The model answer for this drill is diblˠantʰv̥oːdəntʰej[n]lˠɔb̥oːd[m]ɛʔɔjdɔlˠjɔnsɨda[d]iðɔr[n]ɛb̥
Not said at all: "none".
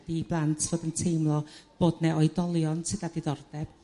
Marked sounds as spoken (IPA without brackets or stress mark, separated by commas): m, n, d, d